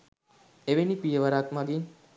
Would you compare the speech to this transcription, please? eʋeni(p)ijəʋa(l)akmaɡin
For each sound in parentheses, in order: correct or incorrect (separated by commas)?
correct, incorrect